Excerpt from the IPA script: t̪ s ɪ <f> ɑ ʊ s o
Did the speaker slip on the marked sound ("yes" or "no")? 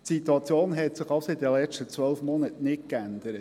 yes